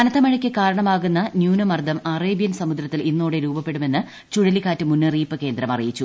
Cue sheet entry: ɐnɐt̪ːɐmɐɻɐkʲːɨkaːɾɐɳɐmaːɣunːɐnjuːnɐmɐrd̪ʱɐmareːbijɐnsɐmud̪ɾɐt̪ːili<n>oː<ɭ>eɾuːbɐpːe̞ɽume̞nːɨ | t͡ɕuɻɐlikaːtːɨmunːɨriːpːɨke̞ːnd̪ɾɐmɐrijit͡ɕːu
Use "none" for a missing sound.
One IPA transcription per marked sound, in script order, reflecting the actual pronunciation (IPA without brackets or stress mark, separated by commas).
nː, ɽ